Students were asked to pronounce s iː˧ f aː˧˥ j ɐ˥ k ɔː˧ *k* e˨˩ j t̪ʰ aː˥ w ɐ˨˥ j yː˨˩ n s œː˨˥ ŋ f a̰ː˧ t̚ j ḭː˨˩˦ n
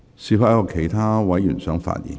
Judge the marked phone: incorrect: kʰ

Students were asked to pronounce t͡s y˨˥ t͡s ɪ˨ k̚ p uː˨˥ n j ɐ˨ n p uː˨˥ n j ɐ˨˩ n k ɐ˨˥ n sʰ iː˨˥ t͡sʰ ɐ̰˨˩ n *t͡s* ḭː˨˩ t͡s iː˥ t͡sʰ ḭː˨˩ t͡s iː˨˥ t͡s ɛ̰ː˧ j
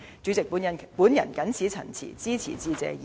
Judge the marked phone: incorrect: t͡sʰ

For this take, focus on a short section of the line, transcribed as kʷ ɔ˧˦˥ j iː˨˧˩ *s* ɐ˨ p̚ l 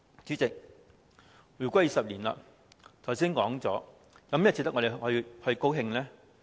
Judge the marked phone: correct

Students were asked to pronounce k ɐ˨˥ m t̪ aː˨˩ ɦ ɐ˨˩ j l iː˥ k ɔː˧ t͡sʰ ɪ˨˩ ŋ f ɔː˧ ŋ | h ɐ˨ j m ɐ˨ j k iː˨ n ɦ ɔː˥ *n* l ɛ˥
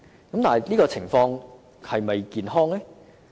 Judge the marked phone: incorrect: ŋ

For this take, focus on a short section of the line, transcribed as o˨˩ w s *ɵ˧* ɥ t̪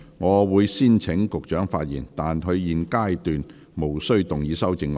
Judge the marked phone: incorrect: ɵ˥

